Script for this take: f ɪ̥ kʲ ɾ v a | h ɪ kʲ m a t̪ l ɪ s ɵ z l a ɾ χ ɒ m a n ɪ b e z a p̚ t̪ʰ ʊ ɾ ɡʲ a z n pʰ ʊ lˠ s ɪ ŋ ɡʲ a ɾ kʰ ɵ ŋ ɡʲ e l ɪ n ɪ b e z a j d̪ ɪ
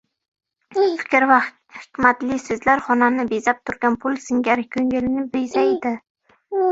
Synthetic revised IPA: f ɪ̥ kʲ ɾ v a | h ɪ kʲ m a t̪ l ɪ s ɵ z l a ɾ χ ɒ n a n ɪ b e z a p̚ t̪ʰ ʊ ɾ ɡʲ a n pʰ ʊ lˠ s ɪ ŋ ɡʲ a ɾ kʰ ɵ ŋ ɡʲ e l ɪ n ɪ b e z a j d̪ ɪ